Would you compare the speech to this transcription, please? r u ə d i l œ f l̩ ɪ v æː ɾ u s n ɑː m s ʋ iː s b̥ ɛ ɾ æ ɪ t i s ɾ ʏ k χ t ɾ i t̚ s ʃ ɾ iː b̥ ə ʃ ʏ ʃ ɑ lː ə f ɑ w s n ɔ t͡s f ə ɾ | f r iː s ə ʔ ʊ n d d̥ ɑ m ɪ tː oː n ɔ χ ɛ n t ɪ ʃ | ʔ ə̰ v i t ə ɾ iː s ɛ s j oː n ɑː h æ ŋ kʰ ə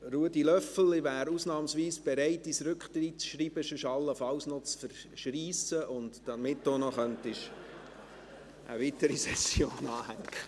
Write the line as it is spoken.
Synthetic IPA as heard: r u ə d i l œ f l̩ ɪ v æː ɾ u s n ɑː m s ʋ iː s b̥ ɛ ɾ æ ɪ t i s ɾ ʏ k χ t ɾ i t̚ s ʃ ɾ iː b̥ ə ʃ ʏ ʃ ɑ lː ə f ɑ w s n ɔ t͡s f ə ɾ | ʃ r iː s ə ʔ ʊ n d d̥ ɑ m ɪ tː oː n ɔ χ œ n t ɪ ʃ | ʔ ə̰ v i t ə ɾ i s ɛ s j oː n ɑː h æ ŋ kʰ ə